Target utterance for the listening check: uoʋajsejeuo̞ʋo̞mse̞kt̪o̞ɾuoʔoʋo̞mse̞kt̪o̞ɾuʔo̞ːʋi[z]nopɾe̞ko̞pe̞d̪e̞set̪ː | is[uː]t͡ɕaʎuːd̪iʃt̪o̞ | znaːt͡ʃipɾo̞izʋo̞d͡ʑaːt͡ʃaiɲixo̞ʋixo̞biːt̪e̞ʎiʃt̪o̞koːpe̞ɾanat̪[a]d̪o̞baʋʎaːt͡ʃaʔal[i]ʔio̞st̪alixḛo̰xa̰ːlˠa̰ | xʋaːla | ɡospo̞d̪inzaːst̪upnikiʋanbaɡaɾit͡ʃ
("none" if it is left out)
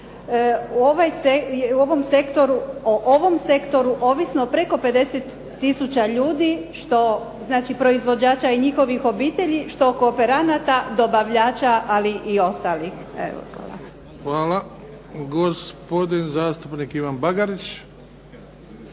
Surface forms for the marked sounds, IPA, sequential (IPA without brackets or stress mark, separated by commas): s, u, a, i